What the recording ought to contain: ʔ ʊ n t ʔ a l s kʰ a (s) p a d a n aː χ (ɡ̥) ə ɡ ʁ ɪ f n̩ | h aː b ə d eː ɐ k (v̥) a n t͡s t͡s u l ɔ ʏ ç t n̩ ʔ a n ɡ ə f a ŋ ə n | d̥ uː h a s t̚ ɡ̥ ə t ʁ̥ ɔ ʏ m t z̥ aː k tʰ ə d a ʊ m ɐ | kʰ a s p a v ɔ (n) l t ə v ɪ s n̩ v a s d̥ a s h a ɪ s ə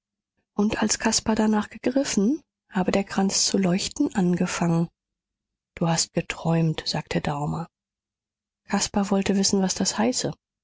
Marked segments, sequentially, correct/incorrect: correct, correct, incorrect: ʁ̥, incorrect: none

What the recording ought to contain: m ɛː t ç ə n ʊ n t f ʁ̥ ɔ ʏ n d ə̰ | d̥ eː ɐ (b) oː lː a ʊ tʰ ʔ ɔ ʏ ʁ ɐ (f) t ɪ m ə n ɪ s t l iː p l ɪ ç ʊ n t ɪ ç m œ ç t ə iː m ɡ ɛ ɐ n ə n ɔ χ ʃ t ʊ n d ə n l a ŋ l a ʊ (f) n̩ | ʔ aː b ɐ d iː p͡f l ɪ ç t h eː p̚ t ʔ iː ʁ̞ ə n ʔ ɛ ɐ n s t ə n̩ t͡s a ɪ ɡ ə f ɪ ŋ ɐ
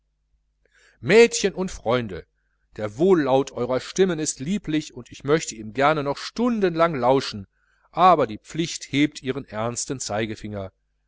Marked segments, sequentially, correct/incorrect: incorrect: v, incorrect: ʃ, incorrect: ʃ

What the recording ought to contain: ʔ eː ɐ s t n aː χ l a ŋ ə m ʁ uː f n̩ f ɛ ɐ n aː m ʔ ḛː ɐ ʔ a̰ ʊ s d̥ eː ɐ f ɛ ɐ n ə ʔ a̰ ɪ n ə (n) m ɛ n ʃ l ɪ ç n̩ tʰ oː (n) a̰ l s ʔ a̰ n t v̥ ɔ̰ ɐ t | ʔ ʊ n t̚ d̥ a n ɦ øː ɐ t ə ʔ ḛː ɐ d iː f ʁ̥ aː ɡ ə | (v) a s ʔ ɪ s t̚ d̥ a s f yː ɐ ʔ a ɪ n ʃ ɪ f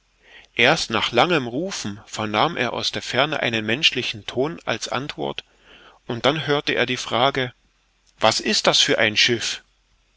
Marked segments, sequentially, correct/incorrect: correct, correct, correct

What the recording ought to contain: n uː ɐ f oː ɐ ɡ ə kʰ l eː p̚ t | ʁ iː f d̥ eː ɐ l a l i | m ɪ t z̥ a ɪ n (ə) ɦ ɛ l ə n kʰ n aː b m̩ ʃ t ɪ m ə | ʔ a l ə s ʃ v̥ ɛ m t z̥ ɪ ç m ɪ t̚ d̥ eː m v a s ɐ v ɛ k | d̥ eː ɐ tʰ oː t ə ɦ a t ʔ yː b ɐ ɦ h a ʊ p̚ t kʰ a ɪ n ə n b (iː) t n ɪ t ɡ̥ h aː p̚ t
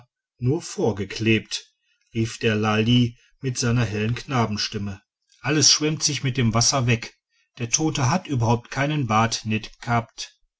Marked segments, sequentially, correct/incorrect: incorrect: ɐ, incorrect: aː

